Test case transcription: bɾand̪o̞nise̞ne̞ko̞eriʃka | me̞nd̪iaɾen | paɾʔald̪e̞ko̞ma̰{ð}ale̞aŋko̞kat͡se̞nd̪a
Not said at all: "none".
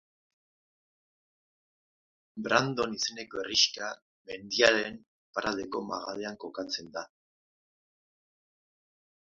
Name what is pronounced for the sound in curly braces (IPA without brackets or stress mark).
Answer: ɣ